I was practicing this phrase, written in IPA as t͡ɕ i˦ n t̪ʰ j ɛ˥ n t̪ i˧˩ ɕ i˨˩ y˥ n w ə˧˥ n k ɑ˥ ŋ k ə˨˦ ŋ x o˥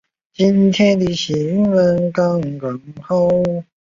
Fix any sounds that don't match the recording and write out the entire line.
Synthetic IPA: t͡ɕ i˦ n t̪ʰ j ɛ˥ n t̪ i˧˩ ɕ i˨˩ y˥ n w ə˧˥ n k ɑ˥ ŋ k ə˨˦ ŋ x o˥